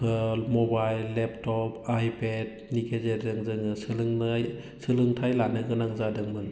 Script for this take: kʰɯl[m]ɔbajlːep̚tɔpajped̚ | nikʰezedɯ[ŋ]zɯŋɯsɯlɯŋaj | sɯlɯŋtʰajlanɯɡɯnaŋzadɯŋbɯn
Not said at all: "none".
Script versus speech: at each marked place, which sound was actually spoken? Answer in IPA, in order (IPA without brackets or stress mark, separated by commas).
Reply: m, ŋ